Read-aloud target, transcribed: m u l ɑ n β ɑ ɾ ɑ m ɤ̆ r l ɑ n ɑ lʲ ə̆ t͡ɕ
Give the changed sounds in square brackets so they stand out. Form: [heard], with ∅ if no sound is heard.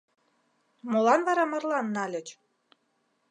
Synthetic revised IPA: m [o] l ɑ n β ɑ ɾ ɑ m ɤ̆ r l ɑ [nː] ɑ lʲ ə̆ t͡ɕ